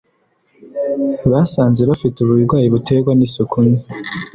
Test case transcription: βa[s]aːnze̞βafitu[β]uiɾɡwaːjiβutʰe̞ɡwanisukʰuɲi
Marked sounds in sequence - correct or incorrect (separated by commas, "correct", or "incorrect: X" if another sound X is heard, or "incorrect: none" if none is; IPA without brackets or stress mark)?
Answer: correct, correct